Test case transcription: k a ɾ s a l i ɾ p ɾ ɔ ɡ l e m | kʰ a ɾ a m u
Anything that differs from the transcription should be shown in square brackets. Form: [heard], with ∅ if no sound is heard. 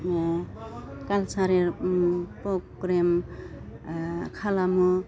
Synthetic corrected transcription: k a [l] s a [ɾ] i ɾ p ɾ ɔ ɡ [ɾ] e m | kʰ a [l] a m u

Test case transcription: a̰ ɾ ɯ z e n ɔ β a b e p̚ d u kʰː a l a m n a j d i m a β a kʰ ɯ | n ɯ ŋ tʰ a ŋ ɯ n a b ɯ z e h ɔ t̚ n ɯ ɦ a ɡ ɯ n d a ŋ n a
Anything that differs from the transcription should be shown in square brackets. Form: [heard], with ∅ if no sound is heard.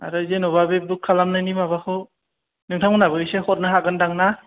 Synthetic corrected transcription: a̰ ɾ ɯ z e n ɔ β a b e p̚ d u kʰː a l a m n a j [n] i m a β a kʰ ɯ | n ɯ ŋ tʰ a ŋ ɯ n a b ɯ [s] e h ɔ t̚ n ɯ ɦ a ɡ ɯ n d a ŋ n a

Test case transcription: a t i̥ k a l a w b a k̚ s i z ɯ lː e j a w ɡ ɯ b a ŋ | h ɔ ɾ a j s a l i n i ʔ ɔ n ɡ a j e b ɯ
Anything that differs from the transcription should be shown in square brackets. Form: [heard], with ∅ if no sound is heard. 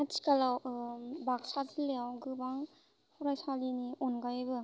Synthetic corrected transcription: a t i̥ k a l a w b a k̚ s [a] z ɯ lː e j a w ɡ ɯ b a ŋ | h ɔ ɾ a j s a l i n i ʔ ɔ n ɡ a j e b ɯ

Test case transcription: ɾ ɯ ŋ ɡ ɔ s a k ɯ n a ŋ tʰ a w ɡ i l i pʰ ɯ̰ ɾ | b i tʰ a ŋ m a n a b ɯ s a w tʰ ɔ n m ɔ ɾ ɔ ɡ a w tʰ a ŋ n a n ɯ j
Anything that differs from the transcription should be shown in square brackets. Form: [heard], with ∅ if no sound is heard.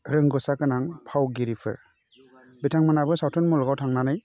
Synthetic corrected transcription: ɾ ɯ ŋ ɡ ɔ s a k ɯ n a ŋ [pʰ] a w ɡ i [ɾ] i pʰ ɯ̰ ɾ | b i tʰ a ŋ m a n a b ɯ s a w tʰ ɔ n m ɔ [l] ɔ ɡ a w tʰ a ŋ n a n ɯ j

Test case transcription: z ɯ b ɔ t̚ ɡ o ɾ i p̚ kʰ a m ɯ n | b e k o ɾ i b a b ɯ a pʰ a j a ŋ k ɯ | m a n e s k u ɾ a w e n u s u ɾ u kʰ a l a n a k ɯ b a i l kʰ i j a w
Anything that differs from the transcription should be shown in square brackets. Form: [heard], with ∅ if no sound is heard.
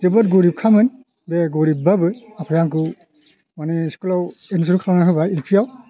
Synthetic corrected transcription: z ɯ b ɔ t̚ ɡ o ɾ i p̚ kʰ a m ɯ n | b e [ɡ] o ɾ i b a b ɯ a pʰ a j a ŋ k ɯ | m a n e s k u [l] a w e n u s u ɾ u kʰ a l a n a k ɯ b a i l [pʰ] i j a w

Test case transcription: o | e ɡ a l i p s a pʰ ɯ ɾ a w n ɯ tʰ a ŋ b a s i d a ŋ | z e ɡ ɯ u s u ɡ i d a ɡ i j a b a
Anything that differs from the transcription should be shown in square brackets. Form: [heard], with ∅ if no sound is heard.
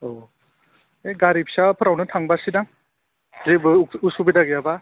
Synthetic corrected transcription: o | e ɡ a [ɾ] i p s a pʰ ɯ ɾ a w n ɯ tʰ a ŋ b a s i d a ŋ | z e [b] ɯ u s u [b] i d a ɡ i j a b a

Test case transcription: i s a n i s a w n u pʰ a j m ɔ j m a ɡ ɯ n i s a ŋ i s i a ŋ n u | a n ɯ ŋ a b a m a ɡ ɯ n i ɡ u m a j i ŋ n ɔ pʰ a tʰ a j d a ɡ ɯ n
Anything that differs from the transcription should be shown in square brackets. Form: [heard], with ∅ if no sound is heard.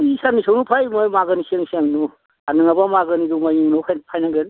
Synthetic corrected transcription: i s a n i s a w n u pʰ a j m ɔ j m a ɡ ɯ n i s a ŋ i s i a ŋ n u | a n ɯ ŋ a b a m a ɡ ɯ n i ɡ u m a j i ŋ n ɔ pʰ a [pʰ] a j [n] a ɡ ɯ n

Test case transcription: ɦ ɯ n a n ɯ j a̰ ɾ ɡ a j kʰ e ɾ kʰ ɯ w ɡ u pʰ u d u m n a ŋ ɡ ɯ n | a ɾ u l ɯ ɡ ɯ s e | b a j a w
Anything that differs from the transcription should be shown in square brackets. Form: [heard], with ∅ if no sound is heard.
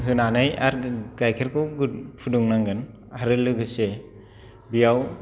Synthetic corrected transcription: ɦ ɯ n a n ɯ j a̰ ɾ ɡ a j kʰ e ɾ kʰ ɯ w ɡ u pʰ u d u [ŋ] n a ŋ ɡ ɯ n | a ɾ [ɯ] l ɯ ɡ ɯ s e | b [i] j a w

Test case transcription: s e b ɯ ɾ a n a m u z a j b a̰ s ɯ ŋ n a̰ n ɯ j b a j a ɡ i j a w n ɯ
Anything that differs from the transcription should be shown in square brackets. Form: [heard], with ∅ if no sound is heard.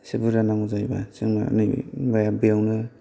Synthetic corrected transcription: s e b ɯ ɾ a n a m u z a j b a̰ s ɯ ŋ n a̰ n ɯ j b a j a [b] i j a w n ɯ

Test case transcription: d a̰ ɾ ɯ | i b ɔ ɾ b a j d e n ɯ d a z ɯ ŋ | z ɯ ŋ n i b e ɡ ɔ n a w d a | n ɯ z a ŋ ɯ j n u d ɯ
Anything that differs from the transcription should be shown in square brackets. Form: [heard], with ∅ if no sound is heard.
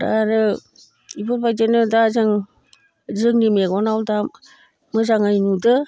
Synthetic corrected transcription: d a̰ ɾ ɯ | i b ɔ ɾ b a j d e n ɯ d a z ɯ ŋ | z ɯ ŋ n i [m] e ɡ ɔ n a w d a | [m] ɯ z a ŋ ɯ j n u d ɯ

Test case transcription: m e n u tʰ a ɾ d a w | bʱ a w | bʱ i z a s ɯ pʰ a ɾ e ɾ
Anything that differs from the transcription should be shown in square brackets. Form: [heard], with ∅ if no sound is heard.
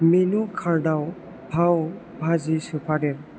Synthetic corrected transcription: m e n u [kʰ] a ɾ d a w | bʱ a w | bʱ [a] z [i] s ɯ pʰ a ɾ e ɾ

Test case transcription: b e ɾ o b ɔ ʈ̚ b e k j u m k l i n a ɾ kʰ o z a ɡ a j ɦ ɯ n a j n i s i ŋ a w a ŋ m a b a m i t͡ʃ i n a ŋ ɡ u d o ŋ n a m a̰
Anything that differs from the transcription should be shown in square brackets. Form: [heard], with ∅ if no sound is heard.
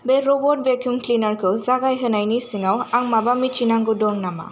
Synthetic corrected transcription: b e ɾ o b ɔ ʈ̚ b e k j u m k l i n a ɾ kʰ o z a ɡ a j ɦ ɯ n a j n i s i ŋ a w a ŋ m a b a m i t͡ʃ i n a ŋ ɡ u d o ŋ n a m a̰

